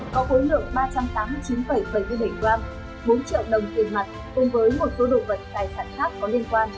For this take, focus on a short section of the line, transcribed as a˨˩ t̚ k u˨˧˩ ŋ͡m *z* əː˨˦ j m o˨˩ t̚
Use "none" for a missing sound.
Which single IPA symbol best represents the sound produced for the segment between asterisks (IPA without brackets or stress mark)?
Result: v